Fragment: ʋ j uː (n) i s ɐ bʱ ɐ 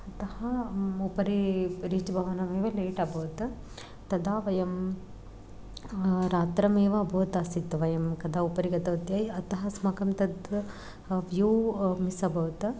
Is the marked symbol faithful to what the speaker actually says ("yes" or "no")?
no